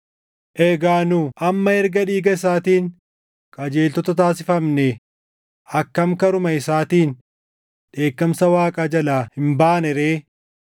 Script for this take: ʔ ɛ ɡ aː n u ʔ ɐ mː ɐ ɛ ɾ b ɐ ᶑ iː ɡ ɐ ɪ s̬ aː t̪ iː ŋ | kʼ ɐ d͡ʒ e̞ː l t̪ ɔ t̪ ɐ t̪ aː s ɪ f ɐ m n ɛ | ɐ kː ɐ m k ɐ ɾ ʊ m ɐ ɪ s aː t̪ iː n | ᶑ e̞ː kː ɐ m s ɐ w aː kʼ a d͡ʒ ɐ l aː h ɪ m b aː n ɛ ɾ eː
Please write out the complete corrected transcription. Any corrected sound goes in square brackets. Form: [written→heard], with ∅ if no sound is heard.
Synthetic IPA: ʔ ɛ ɡ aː n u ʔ ɐ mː ɐ ɛ ɾ [b→ɡ] ɐ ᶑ iː ɡ ɐ ɪ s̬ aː t̪ iː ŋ | kʼ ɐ d͡ʒ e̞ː l t̪ ɔ t̪ ɐ t̪ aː s ɪ f ɐ m n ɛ | ɐ kː ɐ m k ɐ ɾ ʊ m ɐ ɪ s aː t̪ iː n | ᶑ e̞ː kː ɐ m s ɐ w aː kʼ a d͡ʒ ɐ l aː h ɪ m b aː n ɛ ɾ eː